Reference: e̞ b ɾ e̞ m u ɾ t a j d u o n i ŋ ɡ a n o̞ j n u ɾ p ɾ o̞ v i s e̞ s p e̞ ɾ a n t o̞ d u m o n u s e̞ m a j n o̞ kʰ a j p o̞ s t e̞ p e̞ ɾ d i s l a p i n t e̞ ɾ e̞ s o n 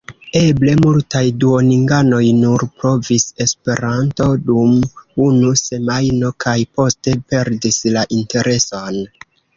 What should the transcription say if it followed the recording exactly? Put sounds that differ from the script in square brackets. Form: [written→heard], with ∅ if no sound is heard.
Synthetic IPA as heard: e̞ b [ɾ→l] e̞ m u [ɾ→l] t a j d u o n i ŋ ɡ a n o̞ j n u ɾ p ɾ o̞ v i s e̞ s p e̞ ɾ a n t o̞ d u m [o→u] n u s e̞ m a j n o̞ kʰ a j p o̞ s t e̞ p e̞ ɾ d i s l a [p→ʔ] i n t e̞ ɾ e̞ s o n

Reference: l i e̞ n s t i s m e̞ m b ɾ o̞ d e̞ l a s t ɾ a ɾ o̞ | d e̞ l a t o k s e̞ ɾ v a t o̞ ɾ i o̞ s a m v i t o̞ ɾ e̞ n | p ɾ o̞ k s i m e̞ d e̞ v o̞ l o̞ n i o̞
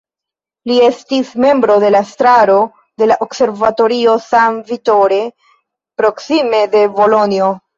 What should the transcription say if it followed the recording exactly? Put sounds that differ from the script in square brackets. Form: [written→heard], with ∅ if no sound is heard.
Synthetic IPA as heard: l i e̞ [n→∅] s t i s m e̞ m b ɾ o̞ d e̞ l a s t ɾ a ɾ o̞ | d e̞ l a [t→ʔ] o k s e̞ ɾ v a t o̞ ɾ i o̞ s a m v i t o̞ ɾ e̞ [n→∅] | p ɾ o̞ k s i m e̞ d e̞ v o̞ l o̞ n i o̞

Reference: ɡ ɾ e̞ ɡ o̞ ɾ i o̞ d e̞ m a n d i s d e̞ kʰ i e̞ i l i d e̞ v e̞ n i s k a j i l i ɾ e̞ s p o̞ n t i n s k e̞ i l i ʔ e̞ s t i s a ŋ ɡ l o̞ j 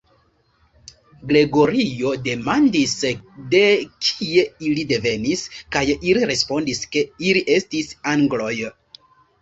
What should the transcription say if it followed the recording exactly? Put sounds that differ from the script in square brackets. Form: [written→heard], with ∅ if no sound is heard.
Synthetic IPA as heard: ɡ ɾ e̞ ɡ o̞ ɾ i o̞ d e̞ m a n d i s d e̞ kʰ i e̞ i l i d e̞ v e̞ n i s k a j i l i ɾ e̞ s p o̞ n [t→d] i [n→∅] s k e̞ i l i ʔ e̞ s t i s a ŋ ɡ l o̞ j

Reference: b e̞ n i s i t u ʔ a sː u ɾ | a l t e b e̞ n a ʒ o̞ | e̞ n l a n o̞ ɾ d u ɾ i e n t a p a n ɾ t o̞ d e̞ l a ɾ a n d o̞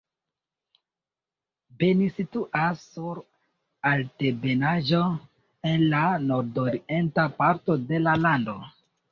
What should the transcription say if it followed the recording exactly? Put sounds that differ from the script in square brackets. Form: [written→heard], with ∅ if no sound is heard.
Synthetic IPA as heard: b e̞ n i s i t u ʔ a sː u ɾ | a l t e b e̞ n a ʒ o̞ | e̞ n l a n o̞ ɾ d [u→o] ɾ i e n t a p a [n→∅] ɾ t o̞ d e̞ l a [ɾ→l] a n d o̞

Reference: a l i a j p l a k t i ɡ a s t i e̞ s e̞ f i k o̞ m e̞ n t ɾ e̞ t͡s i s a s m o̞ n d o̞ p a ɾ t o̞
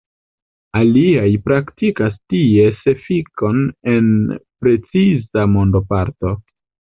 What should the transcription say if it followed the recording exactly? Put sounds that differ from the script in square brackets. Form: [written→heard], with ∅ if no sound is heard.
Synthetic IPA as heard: a l i a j p [l→ɾ] a k t i [ɡ→k] a s t i e̞ s e̞ f i k o̞ [m→n] e̞ n [t→p] ɾ e̞ t͡s i [s→z] a [s→∅] m o̞ n d o̞ p a ɾ t o̞

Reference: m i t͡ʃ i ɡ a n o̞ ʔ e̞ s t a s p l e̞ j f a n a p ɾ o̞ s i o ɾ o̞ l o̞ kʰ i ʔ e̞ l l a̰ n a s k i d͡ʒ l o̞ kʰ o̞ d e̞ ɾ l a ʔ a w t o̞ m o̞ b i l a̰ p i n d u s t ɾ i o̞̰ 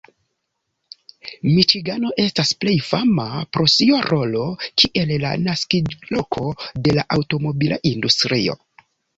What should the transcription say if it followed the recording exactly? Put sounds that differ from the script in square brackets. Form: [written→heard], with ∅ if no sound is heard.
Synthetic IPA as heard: m i t͡ʃ i ɡ a n o̞ ʔ e̞ s t a s p l e̞ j f a [n→m] a p ɾ o̞ s i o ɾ o̞ l o̞ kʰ i ʔ e̞ l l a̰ n a s k i d͡ʒ l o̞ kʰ o̞ d e̞ [ɾ→∅] l a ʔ a w t o̞ m o̞ b i l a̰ [p→ʔ] i n d u s t ɾ i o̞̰

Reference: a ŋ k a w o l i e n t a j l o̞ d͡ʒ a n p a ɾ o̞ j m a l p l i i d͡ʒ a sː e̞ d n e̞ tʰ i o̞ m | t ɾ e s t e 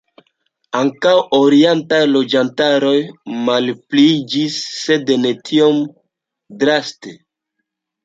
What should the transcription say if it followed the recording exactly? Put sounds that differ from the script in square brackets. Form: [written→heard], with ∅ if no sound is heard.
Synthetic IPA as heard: a ŋ k a w o [l→ɾ] i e n t a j l o̞ d͡ʒ a n [p→t] a ɾ o̞ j m a l p l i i d͡ʒ [a→i] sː e̞ d n e̞ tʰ i o̞ m | [t→d] ɾ [e→a] s t e

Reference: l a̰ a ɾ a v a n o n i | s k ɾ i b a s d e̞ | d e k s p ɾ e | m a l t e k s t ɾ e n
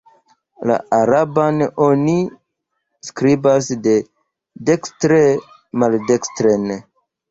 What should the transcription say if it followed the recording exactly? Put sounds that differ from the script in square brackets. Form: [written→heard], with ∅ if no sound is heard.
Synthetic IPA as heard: l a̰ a ɾ a [v→b] a n o n i | s k ɾ i b a s d e̞ | d e k s [p→t] ɾ e | m a l [t→d] e k s t ɾ e n

